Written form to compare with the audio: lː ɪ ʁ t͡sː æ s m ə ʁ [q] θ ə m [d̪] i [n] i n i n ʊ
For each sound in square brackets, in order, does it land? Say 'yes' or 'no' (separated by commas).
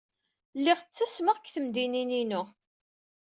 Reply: no, yes, yes